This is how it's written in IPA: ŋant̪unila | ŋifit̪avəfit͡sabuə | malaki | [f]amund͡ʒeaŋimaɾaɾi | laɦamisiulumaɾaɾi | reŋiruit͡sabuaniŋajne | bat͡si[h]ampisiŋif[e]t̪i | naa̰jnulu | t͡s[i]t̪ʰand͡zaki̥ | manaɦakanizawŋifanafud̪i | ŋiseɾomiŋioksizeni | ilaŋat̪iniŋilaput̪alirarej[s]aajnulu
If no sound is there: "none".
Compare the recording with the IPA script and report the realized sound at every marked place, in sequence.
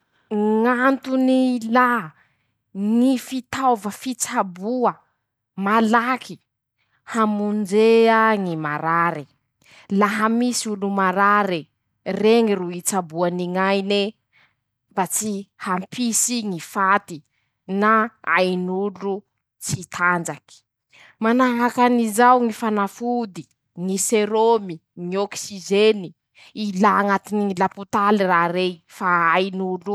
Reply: h, h, a, i, f

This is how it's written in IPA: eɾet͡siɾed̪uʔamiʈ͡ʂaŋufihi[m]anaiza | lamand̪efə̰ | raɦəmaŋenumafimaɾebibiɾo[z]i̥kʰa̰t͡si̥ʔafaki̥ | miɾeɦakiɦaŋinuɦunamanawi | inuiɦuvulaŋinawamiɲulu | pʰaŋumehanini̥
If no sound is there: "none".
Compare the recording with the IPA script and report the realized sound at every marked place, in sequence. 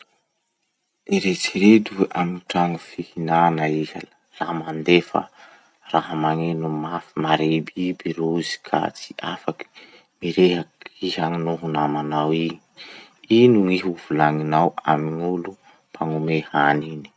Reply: n, z

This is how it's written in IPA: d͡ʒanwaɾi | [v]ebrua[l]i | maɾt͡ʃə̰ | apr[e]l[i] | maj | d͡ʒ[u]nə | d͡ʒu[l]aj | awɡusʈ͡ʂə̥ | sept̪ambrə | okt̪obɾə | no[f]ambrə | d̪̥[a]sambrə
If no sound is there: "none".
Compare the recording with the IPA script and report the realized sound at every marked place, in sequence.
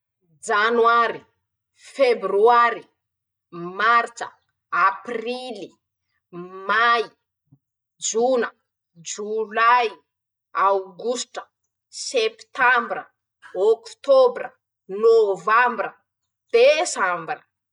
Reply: f, ɾ, i, i, u, l, v, e

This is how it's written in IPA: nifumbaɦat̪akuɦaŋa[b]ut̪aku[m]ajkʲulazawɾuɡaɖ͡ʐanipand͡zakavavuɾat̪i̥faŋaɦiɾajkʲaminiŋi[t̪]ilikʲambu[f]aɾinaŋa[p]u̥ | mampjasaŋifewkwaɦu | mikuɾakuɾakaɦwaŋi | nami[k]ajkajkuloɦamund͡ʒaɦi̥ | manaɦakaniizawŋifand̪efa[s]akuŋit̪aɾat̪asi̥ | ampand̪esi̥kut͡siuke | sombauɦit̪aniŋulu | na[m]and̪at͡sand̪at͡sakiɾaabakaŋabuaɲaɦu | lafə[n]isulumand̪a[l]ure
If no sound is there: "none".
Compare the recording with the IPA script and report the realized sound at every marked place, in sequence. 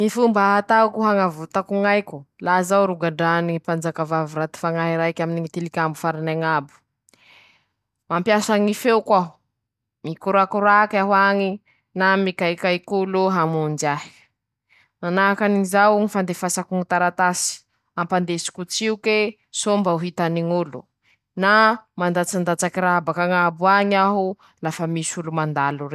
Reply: v, ŋ, t̪, f, b, k, s, m, m, l

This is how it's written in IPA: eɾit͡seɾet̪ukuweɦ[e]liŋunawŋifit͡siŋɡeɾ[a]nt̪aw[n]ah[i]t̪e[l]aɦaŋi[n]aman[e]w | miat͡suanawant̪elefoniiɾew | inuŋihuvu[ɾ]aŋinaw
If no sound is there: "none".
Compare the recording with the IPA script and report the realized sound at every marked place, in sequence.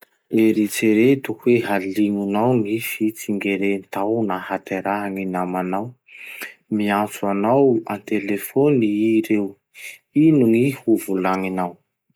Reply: a, e, n, a, ɾ, n, a, l

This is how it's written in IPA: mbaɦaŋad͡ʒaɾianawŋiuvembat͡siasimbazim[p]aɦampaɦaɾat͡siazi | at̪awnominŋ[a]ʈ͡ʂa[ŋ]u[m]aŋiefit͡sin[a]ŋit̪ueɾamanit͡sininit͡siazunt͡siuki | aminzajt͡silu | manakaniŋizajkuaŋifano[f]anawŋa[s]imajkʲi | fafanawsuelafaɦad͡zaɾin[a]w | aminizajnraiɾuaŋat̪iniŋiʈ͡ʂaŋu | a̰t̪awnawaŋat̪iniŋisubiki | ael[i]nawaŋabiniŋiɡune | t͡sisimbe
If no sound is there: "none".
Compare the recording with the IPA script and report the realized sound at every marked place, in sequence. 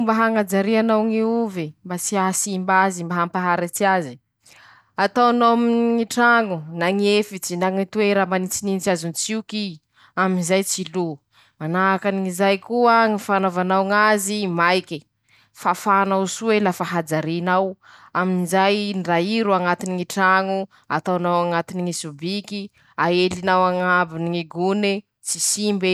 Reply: b, i, ŋ, n, a, v, z, a, i

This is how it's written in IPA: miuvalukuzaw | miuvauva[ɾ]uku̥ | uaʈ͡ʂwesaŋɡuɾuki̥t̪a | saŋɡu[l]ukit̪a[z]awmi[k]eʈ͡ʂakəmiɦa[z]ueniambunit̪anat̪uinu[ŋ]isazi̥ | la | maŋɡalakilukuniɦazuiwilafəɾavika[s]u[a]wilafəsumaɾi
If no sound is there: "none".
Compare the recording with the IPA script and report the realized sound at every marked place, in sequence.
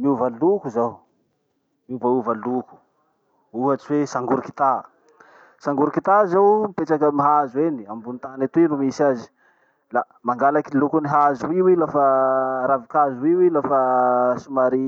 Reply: l, ɾ, z, p, z, m, z, i

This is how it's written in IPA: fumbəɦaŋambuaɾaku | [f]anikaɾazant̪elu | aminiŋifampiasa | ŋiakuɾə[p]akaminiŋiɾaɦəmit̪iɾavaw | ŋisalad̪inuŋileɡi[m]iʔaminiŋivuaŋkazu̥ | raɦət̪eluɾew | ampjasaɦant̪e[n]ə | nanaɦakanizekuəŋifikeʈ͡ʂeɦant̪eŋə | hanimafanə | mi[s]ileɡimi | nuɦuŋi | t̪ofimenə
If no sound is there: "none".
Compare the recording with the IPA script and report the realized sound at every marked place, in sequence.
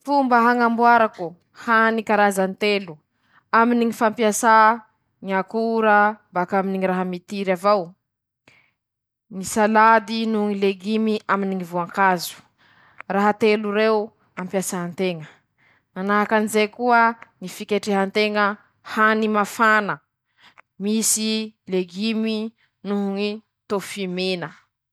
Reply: h, b, m, ŋ, s

